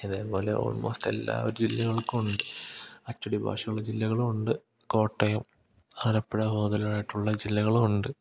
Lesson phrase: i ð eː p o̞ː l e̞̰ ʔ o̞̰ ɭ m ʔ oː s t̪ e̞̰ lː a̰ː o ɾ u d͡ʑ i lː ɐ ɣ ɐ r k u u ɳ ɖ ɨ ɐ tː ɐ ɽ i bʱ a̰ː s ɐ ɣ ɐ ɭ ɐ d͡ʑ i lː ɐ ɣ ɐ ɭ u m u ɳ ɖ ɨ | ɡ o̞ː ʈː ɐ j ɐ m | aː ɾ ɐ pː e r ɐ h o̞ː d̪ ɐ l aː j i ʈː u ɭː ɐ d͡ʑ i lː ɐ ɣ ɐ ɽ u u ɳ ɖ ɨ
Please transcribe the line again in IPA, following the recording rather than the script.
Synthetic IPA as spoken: i ð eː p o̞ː l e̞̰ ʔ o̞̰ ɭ m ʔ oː s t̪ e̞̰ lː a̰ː o ɾ u d͡ʑ i lː ɐ ɣ ɐ ɭ k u u ɳ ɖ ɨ ɐ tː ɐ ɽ i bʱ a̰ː ʂ ɐ ɣ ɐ ɭ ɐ d͡ʑ i lː ɐ ɣ ɐ ɭ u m u ɳ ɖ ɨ | k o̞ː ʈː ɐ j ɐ m | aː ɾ ɐ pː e ɽ ɐ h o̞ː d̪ ɐ l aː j i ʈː u ɭː ɐ d͡ʑ i lː ɐ ɣ ɐ ɭ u u ɳ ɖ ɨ